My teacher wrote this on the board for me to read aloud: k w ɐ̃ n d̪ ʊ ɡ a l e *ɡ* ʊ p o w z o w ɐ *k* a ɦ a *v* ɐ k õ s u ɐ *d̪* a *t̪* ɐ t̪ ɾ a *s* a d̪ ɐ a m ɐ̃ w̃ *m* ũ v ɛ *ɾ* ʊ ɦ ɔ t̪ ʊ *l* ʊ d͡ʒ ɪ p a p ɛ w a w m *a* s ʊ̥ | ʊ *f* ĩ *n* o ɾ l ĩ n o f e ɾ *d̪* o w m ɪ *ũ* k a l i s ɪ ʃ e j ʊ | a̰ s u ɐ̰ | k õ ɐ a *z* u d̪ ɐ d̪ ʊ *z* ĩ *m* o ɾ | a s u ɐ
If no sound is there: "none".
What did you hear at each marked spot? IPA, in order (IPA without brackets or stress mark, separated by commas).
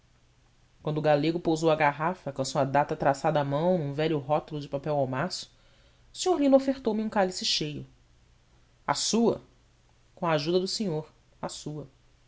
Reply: ɡ, ɡ, f, d̪, t̪, s, n, ʎ, l, a, s, ɲ, t̪, ũ, ʒ, s, ɲ